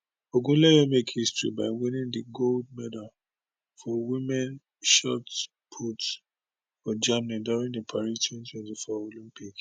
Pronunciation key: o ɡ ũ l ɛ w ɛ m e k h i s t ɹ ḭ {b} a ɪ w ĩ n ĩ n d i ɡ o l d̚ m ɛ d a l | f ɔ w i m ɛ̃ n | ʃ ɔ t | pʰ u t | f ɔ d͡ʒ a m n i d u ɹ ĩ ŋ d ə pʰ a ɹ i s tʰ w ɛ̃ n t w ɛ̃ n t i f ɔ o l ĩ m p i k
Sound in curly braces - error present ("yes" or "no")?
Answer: no